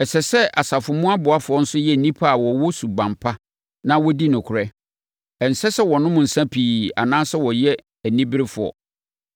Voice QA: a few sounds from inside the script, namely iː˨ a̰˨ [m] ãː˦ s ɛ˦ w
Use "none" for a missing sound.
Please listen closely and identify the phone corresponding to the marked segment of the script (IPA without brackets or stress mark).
n